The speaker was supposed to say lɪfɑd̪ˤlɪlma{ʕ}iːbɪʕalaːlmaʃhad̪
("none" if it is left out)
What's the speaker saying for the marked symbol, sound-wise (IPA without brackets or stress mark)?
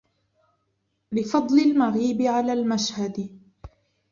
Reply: ɣ